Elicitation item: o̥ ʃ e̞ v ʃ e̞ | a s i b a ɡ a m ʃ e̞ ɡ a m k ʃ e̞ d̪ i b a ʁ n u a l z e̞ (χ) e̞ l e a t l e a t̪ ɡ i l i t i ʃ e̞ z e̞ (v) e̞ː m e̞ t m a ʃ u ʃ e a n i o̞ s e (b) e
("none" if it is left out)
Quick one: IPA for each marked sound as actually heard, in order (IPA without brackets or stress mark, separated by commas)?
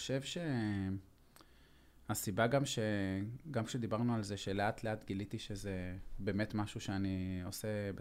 ʃ, b, b